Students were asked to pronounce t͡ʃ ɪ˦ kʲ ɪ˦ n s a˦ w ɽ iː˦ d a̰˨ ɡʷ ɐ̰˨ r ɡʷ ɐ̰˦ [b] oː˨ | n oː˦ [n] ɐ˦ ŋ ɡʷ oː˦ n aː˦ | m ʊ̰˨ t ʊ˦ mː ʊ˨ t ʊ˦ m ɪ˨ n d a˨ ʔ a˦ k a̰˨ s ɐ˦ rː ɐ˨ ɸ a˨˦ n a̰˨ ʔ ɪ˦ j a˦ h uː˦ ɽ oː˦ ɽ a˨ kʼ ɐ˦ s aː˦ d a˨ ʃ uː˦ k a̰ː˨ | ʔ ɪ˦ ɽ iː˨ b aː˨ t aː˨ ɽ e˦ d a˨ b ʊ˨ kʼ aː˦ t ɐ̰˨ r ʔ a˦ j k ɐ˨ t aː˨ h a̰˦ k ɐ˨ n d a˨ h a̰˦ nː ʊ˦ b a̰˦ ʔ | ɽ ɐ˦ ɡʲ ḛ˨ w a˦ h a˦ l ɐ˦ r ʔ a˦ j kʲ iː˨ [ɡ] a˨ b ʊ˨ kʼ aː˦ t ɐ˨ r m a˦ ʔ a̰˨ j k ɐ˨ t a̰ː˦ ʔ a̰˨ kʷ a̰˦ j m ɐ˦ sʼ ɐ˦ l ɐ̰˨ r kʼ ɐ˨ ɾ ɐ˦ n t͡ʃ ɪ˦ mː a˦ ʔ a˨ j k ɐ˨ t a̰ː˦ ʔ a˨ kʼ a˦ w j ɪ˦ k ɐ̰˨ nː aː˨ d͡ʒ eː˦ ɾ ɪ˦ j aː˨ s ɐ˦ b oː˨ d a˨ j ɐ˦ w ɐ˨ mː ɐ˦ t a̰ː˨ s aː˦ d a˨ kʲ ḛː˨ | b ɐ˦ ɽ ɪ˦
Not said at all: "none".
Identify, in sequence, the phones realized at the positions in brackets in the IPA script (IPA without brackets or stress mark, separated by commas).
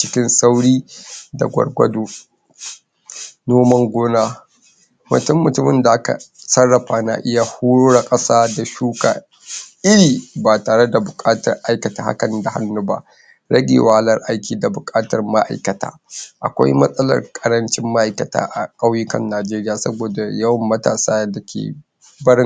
d, m, d